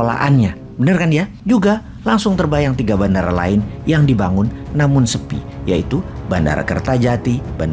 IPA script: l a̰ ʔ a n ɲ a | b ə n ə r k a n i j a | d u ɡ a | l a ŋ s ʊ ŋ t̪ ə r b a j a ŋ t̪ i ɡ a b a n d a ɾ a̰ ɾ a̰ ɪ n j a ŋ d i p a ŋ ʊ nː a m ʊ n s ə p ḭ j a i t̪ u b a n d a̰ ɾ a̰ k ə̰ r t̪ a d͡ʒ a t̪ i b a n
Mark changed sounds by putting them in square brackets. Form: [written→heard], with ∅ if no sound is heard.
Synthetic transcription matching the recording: l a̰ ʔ a n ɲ a | b ə n ə r k a n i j a | [d→d͡ʒ] u ɡ a | l a ŋ s ʊ ŋ t̪ ə r b a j a ŋ t̪ i ɡ a b a n d a ɾ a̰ [ɾ→l] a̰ ɪ n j a ŋ d i [p→b] a ŋ ʊ nː a m ʊ n s ə p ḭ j a i t̪ u b a n d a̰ ɾ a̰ k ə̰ r t̪ a d͡ʒ a t̪ i b a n

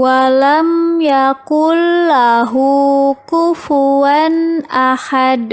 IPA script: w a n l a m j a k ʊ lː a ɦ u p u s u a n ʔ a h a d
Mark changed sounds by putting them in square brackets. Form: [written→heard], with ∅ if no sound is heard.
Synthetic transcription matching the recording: w a [n→∅] l a m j a k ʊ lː a ɦ u [p→k] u [s→f] u a n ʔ a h a d

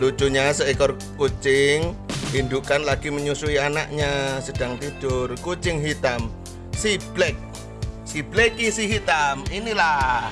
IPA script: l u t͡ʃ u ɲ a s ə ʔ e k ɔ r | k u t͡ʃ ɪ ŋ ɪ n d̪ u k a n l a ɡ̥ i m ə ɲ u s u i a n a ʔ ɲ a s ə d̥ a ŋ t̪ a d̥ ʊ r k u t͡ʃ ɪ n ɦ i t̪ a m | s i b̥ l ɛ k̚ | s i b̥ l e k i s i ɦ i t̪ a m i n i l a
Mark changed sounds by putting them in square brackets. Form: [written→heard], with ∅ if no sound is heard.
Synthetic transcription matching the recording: l u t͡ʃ u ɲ a s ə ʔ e k ɔ r | k u t͡ʃ ɪ ŋ [ɪ→i] n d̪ u k a n l a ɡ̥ i m ə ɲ u s u i a n a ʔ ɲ a s ə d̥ a ŋ t̪ [a→i] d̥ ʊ r k u t͡ʃ ɪ [n→ŋ] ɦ i t̪ a m | s i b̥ l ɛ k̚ | s i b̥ l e k i s i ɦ i t̪ a m i n i l a

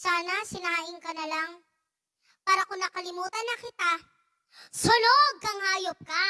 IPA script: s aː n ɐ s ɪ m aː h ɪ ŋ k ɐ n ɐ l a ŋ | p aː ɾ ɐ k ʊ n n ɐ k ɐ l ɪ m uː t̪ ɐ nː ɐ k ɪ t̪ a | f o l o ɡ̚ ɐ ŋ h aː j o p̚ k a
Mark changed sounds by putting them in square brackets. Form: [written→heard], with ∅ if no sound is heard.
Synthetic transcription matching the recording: s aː n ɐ s ɪ [m→n] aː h ɪ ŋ k ɐ n ɐ l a ŋ | p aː ɾ ɐ k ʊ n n ɐ k ɐ l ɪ m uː t̪ ɐ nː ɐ k ɪ t̪ a | [f→s] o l o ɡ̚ ɐ ŋ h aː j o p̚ k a

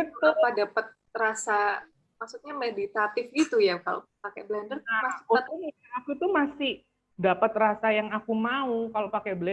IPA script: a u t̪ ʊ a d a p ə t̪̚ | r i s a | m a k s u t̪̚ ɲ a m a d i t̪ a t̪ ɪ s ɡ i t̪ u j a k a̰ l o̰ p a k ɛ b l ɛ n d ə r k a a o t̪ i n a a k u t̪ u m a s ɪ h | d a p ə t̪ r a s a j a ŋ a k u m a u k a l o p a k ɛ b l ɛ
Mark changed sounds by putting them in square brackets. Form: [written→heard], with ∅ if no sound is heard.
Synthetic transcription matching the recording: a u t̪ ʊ a d a p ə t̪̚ | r [i→a] s a | m a k s u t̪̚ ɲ a m [a→e] d i t̪ a t̪ ɪ [s→f] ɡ i t̪ u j a k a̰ l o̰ p a k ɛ b l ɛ n d ə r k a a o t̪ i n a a k u t̪ u m a s ɪ h | d a p ə t̪ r a s a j a ŋ a k u m a u k a l o p a k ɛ b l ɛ

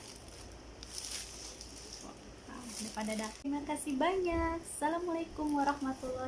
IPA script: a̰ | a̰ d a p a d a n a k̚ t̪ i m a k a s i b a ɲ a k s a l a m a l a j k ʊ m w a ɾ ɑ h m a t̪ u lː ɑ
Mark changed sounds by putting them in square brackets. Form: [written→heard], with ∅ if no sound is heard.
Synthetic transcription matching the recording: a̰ | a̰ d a p a d a [n→d] a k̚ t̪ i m a k a s i b a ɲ a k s a l a m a l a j k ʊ m w a ɾ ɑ h m a t̪ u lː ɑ

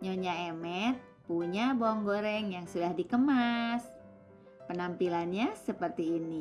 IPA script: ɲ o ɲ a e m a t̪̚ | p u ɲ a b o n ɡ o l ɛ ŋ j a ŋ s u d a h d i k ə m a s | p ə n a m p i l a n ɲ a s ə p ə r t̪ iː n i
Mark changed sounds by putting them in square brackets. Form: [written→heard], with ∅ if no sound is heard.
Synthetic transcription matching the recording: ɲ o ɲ a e m [a→ɛ] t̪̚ | p u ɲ a b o [n→ŋ] ɡ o [l→ɾ] ɛ ŋ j a ŋ s u d a h d i k ə m a s | p ə n a m p i l a n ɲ a s ə p ə r t̪ iː n i

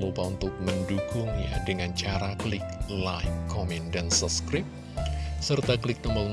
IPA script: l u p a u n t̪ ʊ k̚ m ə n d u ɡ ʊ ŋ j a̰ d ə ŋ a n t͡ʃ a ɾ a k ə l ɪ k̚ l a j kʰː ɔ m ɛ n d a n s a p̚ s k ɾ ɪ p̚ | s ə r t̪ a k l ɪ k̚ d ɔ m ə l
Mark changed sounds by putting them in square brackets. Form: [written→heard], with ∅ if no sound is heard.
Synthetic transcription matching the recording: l u p a u n t̪ ʊ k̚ m ə n d u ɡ ʊ ŋ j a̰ d ə ŋ a n t͡ʃ a ɾ a k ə l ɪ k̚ l a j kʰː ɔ m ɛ n d a n s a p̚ s k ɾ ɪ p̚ | s ə r t̪ a k l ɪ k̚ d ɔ m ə l

